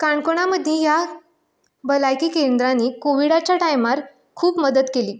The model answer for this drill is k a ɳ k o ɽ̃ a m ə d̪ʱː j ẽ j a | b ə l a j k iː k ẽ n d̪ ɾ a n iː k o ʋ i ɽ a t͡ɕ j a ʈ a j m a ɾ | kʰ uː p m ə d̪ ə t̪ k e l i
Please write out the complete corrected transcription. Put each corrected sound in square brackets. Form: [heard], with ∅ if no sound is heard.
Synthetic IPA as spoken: k a ɳ k o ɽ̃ a m ə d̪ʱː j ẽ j a | b ə l a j k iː k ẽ n d̪ ɾ a n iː k o ʋ i ɽ a t͡ɕ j a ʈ a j m a ɾ | kʰ uː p m ə d̪ ə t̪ k e l [iː]